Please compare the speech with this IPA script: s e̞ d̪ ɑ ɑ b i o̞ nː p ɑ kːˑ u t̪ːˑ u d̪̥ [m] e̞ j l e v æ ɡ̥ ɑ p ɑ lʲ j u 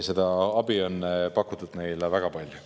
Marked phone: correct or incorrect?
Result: incorrect